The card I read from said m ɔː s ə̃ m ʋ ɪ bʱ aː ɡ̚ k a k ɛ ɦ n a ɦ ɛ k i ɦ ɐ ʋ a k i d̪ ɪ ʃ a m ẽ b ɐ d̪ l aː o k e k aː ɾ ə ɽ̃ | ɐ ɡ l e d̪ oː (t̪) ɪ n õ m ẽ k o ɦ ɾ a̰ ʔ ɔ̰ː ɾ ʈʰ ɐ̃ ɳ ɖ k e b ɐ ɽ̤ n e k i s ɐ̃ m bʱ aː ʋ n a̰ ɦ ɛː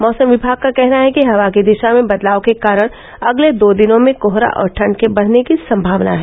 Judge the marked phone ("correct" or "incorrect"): incorrect